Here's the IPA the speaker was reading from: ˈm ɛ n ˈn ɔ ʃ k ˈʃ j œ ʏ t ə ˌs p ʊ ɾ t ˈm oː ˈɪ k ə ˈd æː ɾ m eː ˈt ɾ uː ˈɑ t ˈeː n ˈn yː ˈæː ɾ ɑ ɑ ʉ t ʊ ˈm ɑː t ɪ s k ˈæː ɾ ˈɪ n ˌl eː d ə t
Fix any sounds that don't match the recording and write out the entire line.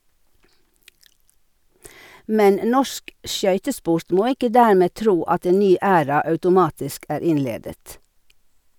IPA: ˈm ɛ n ˈn ɔ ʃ k ˈʃ j œ ʏ t ə ˌs p ʊ ɾ t ˈm oː ˈɪ k ə ˈd æː ɾ m eː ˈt ɾ uː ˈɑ t ˈeː n ˈn yː ˈæː ɾ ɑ ɑ ʉ t ʊ ˈm ɑː t ɪ s k ˈæː ɾ ˈɪ n ˌl eː d ə t